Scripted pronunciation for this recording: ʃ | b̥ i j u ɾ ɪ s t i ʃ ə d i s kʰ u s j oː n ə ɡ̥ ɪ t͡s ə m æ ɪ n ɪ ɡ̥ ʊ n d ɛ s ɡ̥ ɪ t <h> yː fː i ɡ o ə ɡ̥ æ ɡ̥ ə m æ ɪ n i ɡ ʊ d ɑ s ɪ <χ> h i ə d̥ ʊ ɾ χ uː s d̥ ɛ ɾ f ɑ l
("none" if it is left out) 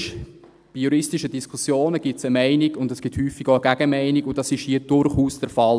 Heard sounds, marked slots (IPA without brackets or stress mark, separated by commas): h, ʃ